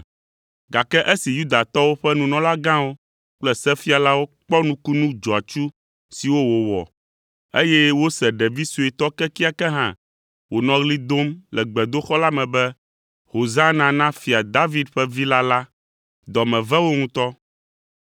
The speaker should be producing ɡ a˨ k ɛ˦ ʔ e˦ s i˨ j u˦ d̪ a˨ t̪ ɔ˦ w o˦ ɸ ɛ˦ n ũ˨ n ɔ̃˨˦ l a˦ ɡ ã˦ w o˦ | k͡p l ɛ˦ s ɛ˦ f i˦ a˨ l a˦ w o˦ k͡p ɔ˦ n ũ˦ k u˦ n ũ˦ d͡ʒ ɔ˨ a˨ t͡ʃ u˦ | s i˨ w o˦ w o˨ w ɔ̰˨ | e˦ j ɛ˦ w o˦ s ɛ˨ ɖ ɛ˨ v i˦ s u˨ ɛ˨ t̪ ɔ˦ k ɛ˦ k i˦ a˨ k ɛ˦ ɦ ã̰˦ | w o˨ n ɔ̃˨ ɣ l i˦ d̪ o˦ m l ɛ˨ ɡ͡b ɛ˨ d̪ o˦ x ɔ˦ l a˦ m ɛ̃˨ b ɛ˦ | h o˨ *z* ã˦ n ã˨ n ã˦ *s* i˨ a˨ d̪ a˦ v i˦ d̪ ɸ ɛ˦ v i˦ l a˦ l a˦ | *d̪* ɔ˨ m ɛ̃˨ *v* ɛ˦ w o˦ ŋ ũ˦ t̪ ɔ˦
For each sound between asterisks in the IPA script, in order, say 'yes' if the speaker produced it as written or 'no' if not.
yes, no, yes, yes

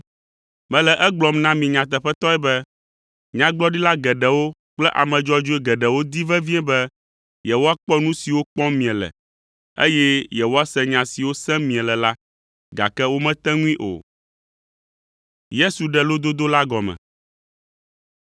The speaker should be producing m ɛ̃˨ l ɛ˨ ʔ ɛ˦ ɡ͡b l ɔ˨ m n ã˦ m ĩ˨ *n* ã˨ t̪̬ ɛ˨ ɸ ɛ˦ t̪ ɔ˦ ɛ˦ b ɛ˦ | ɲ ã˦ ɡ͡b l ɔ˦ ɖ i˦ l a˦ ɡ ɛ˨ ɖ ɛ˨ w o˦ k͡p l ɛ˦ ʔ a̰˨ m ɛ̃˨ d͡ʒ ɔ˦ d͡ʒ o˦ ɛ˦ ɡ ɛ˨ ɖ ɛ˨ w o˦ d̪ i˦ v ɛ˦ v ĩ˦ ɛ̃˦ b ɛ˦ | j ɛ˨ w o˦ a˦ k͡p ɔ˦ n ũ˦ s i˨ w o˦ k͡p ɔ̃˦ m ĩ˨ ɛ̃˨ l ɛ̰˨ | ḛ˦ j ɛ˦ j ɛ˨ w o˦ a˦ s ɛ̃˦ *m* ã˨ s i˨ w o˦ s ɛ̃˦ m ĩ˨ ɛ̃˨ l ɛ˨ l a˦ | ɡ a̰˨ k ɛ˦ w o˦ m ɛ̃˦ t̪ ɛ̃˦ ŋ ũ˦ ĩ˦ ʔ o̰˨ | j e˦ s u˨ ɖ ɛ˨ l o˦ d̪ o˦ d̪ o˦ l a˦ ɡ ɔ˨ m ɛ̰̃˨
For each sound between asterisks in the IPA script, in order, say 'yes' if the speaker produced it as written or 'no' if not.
no, no

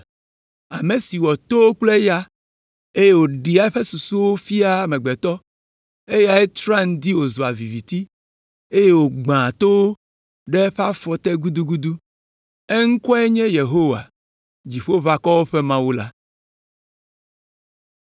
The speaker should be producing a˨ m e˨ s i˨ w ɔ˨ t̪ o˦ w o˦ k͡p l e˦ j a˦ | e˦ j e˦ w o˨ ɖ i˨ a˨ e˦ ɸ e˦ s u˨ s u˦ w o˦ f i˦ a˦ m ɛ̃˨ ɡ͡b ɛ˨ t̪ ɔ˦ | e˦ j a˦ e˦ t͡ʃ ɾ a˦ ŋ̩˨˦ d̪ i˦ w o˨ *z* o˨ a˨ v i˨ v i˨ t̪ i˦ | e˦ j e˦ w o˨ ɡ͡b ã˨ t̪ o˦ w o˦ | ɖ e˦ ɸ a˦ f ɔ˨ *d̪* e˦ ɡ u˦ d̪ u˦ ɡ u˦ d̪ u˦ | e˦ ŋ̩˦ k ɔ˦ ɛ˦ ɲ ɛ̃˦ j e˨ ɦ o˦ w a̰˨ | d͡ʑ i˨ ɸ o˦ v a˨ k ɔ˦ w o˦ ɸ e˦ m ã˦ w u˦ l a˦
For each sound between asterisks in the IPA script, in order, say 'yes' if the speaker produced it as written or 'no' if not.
yes, no

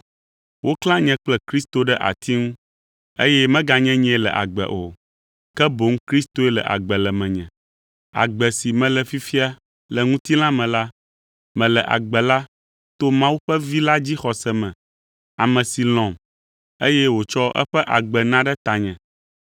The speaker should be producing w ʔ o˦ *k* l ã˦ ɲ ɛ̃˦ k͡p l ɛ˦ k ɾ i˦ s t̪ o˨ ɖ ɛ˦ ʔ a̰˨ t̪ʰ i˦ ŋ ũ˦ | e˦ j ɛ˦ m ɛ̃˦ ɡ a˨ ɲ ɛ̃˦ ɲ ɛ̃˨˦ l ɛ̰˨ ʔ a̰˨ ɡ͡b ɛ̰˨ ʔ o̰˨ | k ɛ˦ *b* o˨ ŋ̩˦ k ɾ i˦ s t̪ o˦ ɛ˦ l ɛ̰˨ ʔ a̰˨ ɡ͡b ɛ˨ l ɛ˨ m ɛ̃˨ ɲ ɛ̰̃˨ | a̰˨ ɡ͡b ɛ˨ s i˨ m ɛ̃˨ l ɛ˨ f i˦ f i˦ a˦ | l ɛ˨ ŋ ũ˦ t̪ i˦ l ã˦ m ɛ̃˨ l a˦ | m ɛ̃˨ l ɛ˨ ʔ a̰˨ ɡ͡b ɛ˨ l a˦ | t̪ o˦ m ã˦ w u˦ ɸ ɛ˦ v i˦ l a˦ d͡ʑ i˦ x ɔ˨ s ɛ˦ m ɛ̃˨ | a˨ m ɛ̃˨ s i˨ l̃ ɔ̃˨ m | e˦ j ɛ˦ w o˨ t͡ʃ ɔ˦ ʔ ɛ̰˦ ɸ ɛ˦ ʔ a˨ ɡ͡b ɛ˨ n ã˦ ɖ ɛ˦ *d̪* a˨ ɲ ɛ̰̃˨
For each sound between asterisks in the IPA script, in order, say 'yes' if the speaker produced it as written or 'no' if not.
yes, yes, no

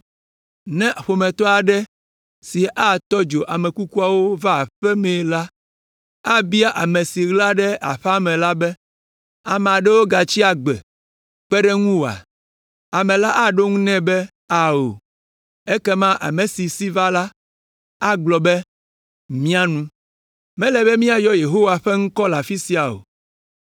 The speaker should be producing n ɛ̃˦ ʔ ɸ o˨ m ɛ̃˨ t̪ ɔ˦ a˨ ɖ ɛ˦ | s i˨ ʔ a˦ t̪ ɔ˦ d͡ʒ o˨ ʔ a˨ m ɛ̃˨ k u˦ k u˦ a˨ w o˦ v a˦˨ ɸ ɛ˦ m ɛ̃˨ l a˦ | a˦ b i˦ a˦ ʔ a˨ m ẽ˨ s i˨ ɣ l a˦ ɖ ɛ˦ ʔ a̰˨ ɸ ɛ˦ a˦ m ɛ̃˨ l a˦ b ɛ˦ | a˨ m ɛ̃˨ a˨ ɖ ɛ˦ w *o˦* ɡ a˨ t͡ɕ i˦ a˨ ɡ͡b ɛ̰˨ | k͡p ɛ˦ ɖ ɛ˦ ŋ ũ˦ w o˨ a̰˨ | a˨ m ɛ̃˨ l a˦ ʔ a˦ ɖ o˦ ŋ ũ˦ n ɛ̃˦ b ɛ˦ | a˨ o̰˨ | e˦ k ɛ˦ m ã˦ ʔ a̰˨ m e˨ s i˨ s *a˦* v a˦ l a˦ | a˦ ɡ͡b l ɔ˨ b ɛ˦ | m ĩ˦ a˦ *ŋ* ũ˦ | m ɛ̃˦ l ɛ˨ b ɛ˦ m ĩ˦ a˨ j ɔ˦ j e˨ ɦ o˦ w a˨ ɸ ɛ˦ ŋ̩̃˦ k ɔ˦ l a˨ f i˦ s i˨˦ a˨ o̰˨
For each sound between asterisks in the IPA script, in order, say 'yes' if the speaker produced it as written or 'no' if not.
yes, no, no

